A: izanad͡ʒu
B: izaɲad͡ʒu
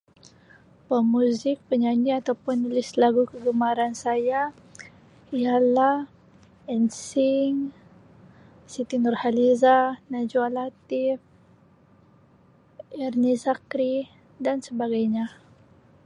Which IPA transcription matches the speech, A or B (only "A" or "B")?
A